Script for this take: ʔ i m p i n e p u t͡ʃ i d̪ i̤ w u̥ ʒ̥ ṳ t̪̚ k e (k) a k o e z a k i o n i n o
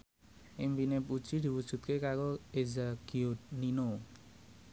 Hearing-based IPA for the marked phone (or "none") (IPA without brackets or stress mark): k